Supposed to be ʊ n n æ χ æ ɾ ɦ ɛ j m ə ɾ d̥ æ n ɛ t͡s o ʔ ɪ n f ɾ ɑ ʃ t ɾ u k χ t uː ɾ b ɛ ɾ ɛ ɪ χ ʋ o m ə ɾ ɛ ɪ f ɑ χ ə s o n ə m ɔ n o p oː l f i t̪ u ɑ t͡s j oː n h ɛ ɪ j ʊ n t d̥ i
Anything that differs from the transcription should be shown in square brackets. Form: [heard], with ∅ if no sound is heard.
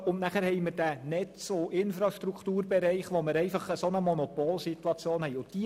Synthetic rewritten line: ʊ n n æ χ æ ɾ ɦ ɛ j m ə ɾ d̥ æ n ɛ t͡s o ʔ ɪ n f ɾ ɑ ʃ t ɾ u k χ t uː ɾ b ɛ ɾ ɛ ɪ χ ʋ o m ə ɾ ɛ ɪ f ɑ χ ə s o n ə m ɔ n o p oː l [s] i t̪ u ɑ t͡s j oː n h ɛ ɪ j ʊ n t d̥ i